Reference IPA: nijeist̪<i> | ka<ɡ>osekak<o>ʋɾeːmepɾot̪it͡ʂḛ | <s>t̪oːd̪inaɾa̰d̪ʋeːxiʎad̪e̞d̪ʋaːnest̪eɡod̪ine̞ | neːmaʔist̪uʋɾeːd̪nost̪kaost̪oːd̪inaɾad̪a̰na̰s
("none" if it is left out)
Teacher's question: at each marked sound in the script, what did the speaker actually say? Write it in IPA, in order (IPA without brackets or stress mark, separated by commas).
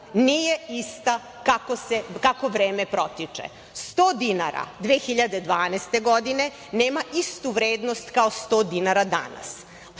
a, k, o, s